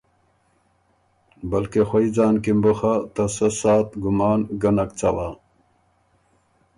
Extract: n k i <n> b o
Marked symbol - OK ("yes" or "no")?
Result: no